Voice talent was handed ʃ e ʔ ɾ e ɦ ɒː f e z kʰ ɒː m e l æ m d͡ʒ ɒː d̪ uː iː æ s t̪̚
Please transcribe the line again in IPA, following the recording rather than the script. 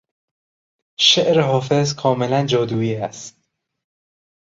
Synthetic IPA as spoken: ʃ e ʔ ɾ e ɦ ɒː f e z kʰ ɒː m e l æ n d͡ʒ ɒː d̪ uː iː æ s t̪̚